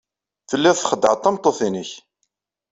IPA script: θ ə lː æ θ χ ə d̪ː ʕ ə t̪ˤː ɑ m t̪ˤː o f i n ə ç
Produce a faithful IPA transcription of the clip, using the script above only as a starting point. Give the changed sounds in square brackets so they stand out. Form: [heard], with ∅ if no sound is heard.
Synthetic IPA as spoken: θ ə lː æ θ χ ə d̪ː ʕ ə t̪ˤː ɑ m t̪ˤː o [θ] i n ə ç